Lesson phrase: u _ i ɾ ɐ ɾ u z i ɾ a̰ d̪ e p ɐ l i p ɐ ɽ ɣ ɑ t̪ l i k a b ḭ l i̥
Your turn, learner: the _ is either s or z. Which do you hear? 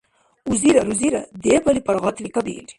z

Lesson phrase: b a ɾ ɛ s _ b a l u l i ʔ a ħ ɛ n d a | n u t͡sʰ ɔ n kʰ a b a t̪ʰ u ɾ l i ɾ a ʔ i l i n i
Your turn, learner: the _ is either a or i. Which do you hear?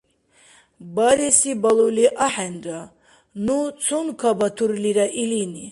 i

